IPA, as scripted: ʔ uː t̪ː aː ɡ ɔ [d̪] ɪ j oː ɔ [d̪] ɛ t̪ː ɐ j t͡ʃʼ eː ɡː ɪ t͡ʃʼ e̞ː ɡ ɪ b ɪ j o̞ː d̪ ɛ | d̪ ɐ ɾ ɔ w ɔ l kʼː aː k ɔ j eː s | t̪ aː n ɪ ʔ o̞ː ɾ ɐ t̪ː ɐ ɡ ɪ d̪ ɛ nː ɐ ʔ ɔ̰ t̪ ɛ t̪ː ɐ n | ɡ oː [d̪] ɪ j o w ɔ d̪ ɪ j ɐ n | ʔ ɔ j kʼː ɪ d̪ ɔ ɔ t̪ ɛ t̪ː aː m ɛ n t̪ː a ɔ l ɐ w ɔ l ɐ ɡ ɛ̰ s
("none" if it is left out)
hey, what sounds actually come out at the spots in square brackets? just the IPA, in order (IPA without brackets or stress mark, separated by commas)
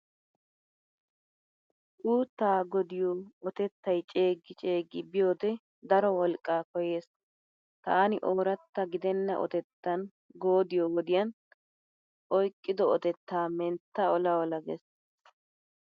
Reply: d̪, t̪, d̪